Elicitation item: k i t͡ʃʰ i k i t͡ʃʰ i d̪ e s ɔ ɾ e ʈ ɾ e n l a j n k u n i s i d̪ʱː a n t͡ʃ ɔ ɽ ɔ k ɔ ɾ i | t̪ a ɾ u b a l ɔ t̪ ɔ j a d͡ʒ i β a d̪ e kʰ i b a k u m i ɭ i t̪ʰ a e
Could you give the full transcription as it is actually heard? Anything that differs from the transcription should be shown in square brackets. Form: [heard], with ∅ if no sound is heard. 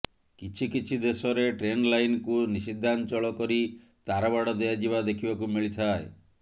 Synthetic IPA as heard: k i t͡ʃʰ i k i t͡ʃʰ i d̪ e s ɔ ɾ e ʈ ɾ e n l a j n k u n i s i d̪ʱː a n t͡ʃ ɔ [ɭ] ɔ k ɔ ɾ i | t̪ a ɾ [ɔ] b a [ɽ] ɔ [d̪] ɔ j a d͡ʒ i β a d̪ e kʰ i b a k u m i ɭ i t̪ʰ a e